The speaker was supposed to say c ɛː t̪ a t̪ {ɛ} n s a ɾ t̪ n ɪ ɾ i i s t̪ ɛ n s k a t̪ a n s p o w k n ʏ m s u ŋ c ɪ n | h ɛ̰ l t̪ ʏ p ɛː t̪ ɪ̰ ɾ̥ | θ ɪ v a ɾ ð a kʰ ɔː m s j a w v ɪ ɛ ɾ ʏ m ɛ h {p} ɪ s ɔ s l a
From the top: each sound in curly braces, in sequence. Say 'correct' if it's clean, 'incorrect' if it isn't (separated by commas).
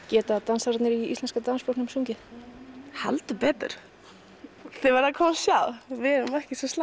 incorrect, incorrect